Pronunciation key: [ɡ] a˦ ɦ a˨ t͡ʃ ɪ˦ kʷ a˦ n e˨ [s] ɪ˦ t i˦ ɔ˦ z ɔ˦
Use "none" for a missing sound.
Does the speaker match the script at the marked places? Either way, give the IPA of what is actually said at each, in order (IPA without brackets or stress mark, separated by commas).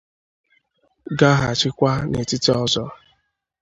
ɡ, t